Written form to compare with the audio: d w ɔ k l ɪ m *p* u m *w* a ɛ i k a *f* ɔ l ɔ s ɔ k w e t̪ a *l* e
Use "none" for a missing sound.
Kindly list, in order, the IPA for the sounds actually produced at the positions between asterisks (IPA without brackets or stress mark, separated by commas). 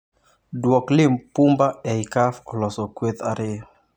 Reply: p, b, f, ɾ